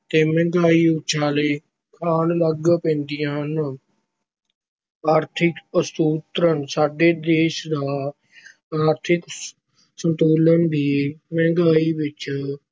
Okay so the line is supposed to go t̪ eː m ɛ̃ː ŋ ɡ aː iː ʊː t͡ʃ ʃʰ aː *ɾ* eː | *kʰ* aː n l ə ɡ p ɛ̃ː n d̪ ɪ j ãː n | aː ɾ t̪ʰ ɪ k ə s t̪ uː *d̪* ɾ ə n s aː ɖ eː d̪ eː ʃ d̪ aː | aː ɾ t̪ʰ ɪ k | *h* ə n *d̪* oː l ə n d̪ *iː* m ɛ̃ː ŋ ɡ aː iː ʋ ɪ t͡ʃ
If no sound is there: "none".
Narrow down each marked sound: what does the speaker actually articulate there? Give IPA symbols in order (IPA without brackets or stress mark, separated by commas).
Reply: l, kʰ, t̪, s, t̪, iː